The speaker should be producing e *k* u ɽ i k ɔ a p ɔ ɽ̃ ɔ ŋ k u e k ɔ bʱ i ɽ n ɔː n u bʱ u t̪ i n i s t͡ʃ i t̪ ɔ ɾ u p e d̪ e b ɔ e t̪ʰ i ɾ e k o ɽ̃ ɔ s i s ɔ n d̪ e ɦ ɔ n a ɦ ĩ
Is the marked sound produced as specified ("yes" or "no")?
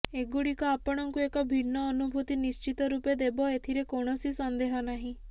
no